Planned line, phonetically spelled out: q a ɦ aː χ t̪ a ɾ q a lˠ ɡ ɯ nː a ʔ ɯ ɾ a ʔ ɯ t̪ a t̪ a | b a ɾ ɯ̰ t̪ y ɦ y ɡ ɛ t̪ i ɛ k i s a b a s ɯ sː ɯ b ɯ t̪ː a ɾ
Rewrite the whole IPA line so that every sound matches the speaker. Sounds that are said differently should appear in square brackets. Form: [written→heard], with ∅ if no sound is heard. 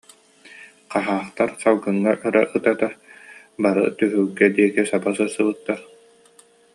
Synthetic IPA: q a ɦ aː χ t̪ a ɾ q a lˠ ɡ ɯ [nː→ŋː] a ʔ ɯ ɾ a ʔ ɯ t̪ a t̪ a | b a ɾ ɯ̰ t̪ y ɦ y ɡ ɛ [t̪→d̪] i ɛ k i s a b a s ɯ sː ɯ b ɯ t̪ː a ɾ

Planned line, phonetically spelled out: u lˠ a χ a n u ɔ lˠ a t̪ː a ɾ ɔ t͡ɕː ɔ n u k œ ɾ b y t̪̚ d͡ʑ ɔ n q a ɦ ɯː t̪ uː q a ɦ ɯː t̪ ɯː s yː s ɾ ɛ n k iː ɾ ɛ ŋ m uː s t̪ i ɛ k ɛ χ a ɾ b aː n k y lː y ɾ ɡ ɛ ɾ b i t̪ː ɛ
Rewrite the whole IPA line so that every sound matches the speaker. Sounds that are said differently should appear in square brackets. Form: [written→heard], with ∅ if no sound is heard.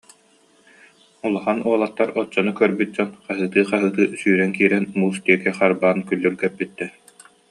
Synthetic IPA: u lˠ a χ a n u ɔ lˠ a t̪ː a ɾ ɔ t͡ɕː ɔ n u k œ ɾ b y t̪̚ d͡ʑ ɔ n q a ɦ ɯː t̪ [uː→ɯː] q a ɦ ɯː t̪ ɯː s yː [s→∅] ɾ ɛ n k iː ɾ ɛ [ŋ→n] m uː s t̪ i ɛ k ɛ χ a ɾ b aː n k y lː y ɾ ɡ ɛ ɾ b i t̪ː ɛ

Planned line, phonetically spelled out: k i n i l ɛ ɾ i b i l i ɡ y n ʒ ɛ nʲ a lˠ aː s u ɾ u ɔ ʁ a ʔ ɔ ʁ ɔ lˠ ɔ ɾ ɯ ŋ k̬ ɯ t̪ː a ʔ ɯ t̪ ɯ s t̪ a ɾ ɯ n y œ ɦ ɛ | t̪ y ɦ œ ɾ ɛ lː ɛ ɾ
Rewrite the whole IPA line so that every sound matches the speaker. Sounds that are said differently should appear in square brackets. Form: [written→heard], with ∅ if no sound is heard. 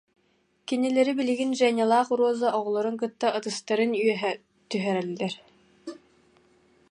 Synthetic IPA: k i n i l ɛ ɾ i b i l i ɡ [y→i] n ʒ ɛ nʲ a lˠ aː [s→χ] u ɾ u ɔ [ʁ→z] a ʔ ɔ ʁ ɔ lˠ ɔ ɾ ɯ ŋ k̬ ɯ t̪ː a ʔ ɯ t̪ ɯ s t̪ a ɾ ɯ n y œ ɦ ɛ | t̪ y ɦ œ ɾ ɛ lː ɛ ɾ

